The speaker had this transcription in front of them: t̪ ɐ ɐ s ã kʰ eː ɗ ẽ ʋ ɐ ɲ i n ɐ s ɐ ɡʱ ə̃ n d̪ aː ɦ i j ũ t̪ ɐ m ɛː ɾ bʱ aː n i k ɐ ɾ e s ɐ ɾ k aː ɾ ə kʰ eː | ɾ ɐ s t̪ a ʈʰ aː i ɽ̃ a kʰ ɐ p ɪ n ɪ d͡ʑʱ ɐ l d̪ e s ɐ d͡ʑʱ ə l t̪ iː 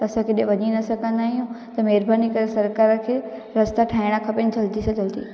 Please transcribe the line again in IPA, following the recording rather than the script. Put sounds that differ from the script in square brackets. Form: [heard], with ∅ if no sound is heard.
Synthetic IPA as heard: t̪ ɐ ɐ s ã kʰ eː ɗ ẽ ʋ ɐ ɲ i n ɐ s ɐ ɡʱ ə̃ n d̪ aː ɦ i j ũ t̪ ɐ m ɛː ɾ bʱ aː n i k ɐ ɾ e s ɐ ɾ k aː ɾ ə kʰ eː | ɾ ɐ s t̪ a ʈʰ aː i ɽ̃ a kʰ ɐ p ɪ n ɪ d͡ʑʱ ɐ l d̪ [i] s ɐ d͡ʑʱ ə l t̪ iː